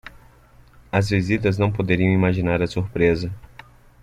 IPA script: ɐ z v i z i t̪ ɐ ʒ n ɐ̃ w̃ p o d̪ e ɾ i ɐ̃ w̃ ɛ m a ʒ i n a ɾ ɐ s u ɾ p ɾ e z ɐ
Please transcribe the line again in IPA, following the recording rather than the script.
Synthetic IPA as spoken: ɐ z v i z i t̪ ɐ z n ɐ̃ w̃ p o d̪ e ɾ i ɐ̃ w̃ i m a ʒ i n a ɾ ɐ s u ɾ p ɾ e z ɐ